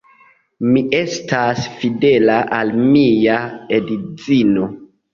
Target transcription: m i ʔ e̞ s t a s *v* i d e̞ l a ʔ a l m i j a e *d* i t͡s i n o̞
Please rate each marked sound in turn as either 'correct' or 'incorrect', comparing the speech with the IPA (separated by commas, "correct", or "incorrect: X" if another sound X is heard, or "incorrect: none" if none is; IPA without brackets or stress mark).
incorrect: f, correct